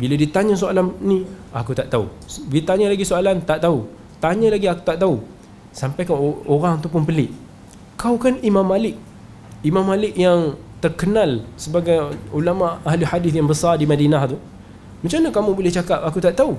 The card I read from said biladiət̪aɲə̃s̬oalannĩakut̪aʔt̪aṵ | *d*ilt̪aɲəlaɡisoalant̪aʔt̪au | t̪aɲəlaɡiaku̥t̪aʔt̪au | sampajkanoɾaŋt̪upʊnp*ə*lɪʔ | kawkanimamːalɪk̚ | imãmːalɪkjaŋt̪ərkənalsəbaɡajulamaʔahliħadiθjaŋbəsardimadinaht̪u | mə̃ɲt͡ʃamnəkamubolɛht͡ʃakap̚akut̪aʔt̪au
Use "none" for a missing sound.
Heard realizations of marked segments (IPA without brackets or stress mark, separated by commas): b, ə